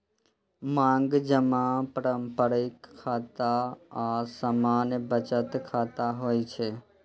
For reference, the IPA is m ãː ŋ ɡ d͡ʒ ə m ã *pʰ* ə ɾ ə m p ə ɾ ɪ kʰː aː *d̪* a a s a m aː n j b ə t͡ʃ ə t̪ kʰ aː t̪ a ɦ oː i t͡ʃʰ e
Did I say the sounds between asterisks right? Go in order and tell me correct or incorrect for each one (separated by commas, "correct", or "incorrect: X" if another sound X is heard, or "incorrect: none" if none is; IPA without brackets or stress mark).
incorrect: p, incorrect: t̪